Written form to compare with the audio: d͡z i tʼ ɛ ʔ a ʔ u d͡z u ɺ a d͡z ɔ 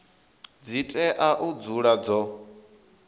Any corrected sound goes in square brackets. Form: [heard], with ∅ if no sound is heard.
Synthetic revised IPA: d͡z i tʼ ɛ ʔ a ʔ u d͡z u ɺ a d͡z ɔ